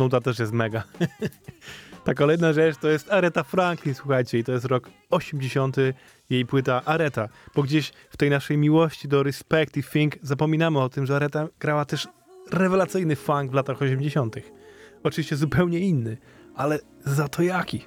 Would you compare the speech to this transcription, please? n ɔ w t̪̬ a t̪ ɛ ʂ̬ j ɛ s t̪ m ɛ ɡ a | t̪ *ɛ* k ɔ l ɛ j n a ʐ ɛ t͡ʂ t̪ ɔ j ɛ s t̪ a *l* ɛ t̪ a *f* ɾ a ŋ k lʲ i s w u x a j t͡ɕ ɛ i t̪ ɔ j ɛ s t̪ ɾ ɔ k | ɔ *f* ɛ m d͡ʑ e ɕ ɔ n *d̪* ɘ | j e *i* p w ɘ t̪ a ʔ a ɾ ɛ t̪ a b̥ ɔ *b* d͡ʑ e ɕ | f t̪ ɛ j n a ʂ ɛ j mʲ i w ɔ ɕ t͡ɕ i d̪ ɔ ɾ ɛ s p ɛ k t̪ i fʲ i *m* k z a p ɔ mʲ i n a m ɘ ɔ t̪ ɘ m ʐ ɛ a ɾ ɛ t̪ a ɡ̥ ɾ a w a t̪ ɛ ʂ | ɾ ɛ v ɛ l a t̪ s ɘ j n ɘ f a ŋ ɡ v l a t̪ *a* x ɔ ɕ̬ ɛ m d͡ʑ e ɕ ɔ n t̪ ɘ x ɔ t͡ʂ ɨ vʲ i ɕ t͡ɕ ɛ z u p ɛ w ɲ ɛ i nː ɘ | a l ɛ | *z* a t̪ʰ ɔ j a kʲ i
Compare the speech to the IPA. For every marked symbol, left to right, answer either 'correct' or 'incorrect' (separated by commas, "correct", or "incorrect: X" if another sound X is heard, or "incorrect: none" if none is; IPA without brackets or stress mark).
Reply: incorrect: a, incorrect: ɾ, correct, incorrect: ɕ, incorrect: t̪, incorrect: j, incorrect: ɡ, incorrect: ŋ, correct, correct